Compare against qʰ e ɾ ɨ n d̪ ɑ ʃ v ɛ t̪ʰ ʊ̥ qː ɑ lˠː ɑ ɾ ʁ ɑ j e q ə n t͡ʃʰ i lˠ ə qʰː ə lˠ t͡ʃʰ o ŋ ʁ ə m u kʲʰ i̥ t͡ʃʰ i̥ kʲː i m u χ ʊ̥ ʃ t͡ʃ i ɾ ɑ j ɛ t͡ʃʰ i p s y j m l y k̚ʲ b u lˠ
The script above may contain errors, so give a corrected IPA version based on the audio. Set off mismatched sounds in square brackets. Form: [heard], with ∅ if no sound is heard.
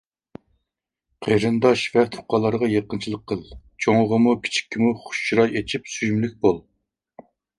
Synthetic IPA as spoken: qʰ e ɾ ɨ n d̪ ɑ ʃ v ɛ t̪ʰ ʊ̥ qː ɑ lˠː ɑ ɾ ʁ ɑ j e q ə n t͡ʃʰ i lˠ ə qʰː ə lˠ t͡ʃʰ o ŋ ʁ ə m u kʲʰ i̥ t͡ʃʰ i̥ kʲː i m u χ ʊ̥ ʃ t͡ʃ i ɾ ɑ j [e] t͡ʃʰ i p s y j m l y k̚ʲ b [o] lˠ